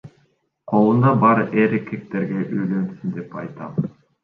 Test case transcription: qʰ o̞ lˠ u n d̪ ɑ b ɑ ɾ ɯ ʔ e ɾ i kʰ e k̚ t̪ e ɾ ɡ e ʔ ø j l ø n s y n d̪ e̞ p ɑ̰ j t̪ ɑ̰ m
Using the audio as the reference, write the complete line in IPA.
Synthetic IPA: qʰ o̞ lˠ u n d̪ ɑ b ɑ ɾ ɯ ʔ e ɾ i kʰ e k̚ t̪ e ɾ ɡ e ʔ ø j l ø n s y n d̪ e̞ p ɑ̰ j t̪ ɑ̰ m